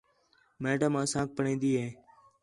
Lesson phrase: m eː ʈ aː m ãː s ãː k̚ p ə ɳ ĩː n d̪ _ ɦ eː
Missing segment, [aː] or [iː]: iː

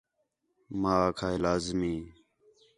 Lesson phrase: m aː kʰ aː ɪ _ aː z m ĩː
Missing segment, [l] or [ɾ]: l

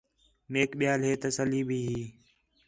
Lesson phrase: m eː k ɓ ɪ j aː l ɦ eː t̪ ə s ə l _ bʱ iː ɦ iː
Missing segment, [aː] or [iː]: iː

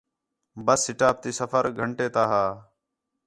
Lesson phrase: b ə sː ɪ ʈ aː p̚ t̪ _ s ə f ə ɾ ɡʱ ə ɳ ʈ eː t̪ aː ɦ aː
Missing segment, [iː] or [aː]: iː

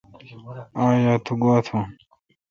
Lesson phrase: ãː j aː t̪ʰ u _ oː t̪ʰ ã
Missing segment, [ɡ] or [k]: ɡ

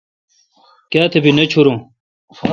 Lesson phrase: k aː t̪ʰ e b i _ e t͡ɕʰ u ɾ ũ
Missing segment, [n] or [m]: n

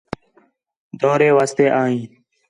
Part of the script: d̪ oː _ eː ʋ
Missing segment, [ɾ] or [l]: ɾ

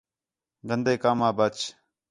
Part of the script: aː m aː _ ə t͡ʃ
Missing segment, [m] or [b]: b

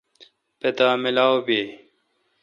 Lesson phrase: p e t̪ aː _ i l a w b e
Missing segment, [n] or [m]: m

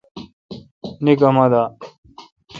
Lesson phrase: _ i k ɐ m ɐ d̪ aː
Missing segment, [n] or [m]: n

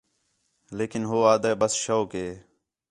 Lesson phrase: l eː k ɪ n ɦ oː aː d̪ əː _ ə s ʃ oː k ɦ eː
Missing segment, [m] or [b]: b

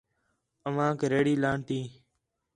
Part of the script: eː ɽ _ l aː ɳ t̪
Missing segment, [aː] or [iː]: iː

